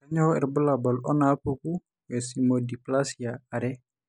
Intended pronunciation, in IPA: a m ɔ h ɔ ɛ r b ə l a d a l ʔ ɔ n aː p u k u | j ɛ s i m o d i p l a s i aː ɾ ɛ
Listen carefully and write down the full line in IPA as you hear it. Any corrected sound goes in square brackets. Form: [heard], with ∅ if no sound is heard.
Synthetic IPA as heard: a [ɲ] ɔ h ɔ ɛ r b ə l a [b] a l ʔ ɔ n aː p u k u | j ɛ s i m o d i p l a s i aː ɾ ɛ

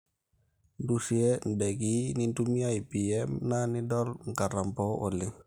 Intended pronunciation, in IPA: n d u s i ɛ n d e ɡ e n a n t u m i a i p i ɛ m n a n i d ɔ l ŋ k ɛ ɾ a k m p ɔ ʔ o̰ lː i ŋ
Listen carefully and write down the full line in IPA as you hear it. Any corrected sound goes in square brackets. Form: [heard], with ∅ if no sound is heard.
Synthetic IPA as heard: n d u s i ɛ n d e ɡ [i] n [i] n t u m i a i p i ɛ m n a n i d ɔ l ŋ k [a] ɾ a [∅] m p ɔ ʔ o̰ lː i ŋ

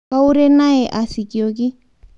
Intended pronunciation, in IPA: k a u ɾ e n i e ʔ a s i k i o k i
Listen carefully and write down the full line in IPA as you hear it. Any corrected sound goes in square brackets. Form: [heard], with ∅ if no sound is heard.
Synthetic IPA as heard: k a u ɾ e n [a] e ʔ a s i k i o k i

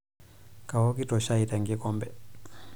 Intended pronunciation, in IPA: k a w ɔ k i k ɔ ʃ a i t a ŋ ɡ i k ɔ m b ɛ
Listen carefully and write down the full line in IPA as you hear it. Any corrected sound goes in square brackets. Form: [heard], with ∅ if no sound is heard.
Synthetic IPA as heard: k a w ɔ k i [t] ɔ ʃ a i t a ŋ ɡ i k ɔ m b ɛ

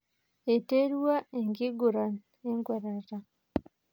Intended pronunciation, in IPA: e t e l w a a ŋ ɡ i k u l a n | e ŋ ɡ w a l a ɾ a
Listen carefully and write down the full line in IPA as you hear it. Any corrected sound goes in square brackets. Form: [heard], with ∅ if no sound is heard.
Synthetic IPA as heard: e t e [ɾ] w a [e] ŋ ɡ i [ɡ] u [ɾ] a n | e ŋ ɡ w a [ɾ] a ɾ a

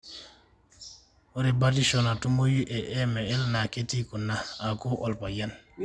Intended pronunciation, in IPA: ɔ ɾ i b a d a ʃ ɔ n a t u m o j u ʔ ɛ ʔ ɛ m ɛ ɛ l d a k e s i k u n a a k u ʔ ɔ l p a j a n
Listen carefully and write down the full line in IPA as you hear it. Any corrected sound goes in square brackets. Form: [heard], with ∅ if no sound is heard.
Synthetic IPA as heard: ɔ ɾ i b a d [i] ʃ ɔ n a t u m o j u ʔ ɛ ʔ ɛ m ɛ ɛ l [n] a k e [t] i k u n a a k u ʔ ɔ l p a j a n

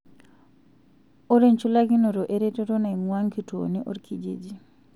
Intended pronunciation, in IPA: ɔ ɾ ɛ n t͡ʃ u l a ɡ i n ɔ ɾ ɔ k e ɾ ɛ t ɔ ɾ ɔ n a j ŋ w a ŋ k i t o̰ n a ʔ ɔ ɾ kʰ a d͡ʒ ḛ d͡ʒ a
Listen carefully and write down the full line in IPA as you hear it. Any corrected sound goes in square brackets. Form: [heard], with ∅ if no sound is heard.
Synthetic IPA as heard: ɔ ɾ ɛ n t͡ʃ u l a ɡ i n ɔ ɾ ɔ [ʔ] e ɾ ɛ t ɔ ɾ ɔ n a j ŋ w a ŋ k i t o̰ n [i] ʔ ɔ ɾ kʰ [i] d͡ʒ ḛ d͡ʒ [i]

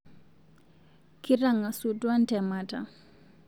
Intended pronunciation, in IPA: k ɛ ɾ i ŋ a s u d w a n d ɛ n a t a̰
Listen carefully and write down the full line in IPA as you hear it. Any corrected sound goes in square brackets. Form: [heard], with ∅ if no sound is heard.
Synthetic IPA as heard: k [i] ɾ [a] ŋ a s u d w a n [t] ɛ [m] a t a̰

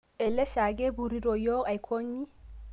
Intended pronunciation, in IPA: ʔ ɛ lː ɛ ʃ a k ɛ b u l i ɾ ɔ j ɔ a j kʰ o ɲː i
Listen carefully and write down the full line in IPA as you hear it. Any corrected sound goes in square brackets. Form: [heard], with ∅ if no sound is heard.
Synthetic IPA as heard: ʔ ɛ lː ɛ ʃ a [ɡ] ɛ b u [ɾ] i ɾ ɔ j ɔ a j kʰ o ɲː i

